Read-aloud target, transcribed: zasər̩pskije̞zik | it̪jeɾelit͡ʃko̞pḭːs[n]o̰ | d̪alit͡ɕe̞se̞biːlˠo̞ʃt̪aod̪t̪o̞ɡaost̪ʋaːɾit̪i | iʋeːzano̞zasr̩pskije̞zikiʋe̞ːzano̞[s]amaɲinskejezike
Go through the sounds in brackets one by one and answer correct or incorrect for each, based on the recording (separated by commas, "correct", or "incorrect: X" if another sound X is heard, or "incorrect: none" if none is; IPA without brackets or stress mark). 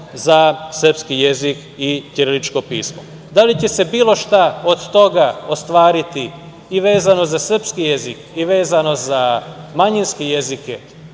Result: incorrect: m, incorrect: z